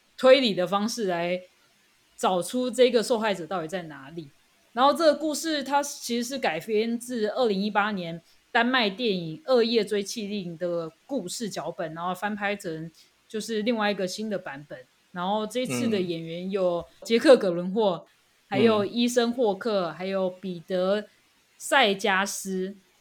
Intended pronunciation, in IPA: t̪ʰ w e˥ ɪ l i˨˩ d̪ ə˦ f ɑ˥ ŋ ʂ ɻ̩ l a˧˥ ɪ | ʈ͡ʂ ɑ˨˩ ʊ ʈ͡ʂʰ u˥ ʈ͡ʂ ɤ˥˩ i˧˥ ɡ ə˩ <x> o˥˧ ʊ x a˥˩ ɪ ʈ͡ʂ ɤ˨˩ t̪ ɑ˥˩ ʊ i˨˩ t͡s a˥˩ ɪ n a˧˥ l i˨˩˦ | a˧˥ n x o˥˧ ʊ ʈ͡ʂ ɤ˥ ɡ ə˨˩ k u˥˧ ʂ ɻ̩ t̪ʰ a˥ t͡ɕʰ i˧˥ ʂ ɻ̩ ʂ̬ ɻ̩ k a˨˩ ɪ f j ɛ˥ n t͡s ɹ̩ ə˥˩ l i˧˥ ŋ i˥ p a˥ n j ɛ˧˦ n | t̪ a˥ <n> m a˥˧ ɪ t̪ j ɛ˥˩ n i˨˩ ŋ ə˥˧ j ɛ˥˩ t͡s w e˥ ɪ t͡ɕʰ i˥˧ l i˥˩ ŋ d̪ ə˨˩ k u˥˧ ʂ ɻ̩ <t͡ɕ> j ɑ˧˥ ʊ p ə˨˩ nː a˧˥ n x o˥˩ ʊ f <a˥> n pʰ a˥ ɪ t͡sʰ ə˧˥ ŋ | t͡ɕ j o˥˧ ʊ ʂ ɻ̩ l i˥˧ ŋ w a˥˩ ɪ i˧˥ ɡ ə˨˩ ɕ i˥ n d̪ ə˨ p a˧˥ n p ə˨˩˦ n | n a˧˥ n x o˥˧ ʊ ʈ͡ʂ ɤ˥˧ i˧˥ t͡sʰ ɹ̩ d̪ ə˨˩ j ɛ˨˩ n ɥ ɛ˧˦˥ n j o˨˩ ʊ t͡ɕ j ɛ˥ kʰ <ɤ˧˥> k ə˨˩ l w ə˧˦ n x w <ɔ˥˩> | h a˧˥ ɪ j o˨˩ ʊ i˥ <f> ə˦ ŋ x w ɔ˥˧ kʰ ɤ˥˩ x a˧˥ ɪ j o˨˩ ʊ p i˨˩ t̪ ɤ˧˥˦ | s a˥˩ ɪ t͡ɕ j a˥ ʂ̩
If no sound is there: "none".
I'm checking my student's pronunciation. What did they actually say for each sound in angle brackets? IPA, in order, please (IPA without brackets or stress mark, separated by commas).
ʂ, n, t͡ɕ, a˥, ɤ˥˩, ɔ˥˩, ʂ